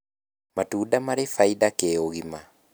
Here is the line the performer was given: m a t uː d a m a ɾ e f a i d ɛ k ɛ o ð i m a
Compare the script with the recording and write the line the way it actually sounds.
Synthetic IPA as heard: m a t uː d a m a ɾ e f a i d a k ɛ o ɣ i m a